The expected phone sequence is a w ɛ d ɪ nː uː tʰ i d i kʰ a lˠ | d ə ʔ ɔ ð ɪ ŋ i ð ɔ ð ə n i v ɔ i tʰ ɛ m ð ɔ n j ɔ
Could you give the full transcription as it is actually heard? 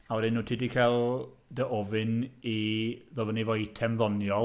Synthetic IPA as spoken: a w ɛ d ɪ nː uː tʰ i d i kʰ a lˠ | d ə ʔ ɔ v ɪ n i ð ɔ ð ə n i v ɔ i tʰ ɛ m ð ɔ n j ɔ